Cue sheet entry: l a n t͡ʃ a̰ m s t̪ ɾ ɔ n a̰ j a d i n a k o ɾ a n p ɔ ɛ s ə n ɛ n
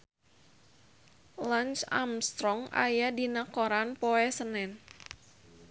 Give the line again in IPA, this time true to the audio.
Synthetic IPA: l a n t͡ʃ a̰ m s t̪ ɾ ɔ ŋ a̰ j a d i n a k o ɾ a n p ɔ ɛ s ə n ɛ n

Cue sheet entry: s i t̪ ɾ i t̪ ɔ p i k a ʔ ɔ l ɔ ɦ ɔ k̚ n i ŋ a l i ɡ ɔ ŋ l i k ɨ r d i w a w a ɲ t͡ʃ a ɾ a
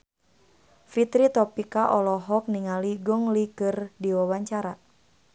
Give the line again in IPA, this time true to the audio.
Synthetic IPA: f i t̪ ɾ i t̪ ɔ p i k a ʔ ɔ l ɔ ɦ ɔ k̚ n i ŋ a l i ɡ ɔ ŋ l i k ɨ r d i w a w a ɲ t͡ʃ a ɾ a

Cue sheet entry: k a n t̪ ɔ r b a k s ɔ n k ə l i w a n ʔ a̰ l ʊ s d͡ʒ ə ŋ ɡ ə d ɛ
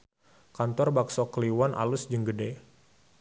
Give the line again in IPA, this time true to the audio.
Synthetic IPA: k a n t̪ ɔ r b a k s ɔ k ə l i w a n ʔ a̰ l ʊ s d͡ʒ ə ŋ ɡ ə d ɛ

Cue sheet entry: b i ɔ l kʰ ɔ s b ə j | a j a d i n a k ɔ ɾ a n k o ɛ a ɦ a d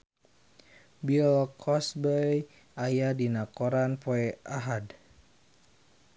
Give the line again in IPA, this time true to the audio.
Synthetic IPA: b i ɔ l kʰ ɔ s b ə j | a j a d i n a k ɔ ɾ a n p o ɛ a ɦ a d

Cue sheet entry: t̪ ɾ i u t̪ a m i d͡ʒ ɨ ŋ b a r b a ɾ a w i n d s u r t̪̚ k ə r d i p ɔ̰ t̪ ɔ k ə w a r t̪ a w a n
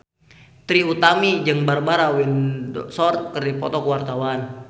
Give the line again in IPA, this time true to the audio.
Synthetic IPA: t̪ ɾ i u t̪ a m i d͡ʒ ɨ ŋ b a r b a ɾ a w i n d s ɔ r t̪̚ k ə r d i p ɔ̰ t̪ ɔ k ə w a r t̪ a w a n

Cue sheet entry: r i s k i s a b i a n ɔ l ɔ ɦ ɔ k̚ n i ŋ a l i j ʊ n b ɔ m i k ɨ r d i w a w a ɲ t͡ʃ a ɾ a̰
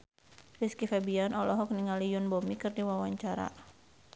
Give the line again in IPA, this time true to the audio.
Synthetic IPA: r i s k i f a b i a n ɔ l ɔ ɦ ɔ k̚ n i ŋ a l i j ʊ n b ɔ m i k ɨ r d i w a w a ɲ t͡ʃ a ɾ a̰

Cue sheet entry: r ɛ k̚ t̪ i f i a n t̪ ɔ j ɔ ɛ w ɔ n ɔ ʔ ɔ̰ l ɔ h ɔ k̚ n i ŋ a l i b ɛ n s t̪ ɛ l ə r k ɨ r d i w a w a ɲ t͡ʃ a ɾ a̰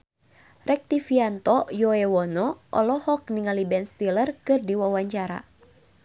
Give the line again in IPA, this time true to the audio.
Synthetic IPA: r ɛ k̚ t̪ i f i a n t̪ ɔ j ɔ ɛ w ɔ n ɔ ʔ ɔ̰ l ɔ h ɔ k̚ n i ŋ a l i b ɛ n s t̪ i l ə r k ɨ r d i w a w a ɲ t͡ʃ a ɾ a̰

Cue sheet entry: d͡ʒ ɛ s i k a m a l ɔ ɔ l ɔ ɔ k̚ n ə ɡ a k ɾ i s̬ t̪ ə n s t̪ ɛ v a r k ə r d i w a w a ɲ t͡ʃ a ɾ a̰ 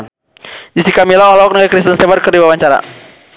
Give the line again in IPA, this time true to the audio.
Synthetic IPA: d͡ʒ i s i k a m i l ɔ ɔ l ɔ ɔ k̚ n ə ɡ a k ɾ i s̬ t̪ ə n s t̪ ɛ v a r k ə r d i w a w a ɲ t͡ʃ a ɾ a̰

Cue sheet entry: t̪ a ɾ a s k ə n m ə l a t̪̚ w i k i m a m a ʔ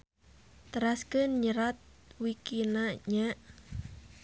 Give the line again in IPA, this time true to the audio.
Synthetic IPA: t̪ ə ɾ a s k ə n ɲ ə ɾ a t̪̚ w i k i n a ɲ a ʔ

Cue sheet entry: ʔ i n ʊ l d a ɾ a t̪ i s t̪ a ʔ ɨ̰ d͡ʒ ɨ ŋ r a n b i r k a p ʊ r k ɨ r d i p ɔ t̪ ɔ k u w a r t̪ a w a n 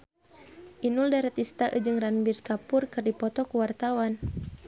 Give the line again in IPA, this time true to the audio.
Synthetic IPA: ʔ i n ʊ l d a ɾ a t̪ i s t̪ a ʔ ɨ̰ d͡ʒ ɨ ŋ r a n b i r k a p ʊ r k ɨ r d i p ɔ t̪ ɔ k u w a r t̪ a w a n

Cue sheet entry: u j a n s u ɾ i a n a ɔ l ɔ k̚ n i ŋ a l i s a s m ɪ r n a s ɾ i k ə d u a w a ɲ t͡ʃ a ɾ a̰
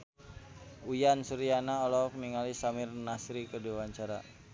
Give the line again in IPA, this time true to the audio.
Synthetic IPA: u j a n s u ɾ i a n a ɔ l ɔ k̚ n i ŋ a l i s a m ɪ r n a s ɾ i k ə d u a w a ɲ t͡ʃ a ɾ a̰

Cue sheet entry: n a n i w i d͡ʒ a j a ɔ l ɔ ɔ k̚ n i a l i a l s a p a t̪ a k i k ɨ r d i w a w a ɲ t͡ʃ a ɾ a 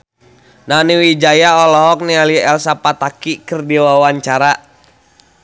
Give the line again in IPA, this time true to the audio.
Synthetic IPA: n a n i w i d͡ʒ a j a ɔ l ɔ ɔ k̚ n i a l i ɛ l s a p a t̪ a k i k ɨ r d i w a w a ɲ t͡ʃ a ɾ a

